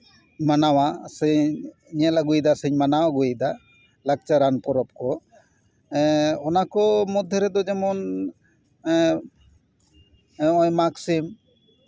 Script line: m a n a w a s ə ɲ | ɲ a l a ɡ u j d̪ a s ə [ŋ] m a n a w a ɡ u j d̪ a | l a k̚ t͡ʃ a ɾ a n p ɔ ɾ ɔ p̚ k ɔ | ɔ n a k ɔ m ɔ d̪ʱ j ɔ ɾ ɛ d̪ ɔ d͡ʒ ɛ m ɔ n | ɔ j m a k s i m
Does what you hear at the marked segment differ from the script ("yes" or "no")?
yes